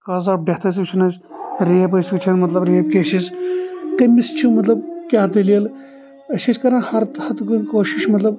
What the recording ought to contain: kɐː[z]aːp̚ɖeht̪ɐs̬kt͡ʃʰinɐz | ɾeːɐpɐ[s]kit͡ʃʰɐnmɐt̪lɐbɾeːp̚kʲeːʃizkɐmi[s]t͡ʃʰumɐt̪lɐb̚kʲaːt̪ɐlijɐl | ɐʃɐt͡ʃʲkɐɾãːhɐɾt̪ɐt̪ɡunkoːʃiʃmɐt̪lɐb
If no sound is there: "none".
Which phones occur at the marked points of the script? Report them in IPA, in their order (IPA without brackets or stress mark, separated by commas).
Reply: z, s, s